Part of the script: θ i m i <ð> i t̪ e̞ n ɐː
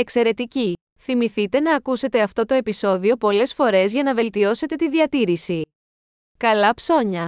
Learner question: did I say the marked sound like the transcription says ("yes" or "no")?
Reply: no